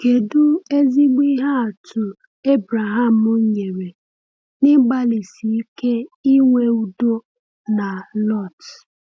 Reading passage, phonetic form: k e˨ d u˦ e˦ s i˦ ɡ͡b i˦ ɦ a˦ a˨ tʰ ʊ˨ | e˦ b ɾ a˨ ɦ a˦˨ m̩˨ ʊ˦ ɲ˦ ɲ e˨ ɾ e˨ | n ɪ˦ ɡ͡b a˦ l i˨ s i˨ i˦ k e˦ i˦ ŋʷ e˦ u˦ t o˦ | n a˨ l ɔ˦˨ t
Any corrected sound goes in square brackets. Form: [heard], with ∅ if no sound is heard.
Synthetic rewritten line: k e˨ d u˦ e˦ [z] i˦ ɡ͡b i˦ ɦ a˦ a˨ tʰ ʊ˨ | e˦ b ɾ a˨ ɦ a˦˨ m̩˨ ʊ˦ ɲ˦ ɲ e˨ ɾ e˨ | n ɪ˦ ɡ͡b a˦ l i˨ s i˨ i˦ k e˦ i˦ ŋʷ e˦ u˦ [d] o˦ | n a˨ l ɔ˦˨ t